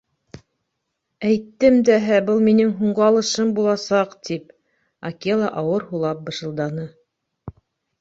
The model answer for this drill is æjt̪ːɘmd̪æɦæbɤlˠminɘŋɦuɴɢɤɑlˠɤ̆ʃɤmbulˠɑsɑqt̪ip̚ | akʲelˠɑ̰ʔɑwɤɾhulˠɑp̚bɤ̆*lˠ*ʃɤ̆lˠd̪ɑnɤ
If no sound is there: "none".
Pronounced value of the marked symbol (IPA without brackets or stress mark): none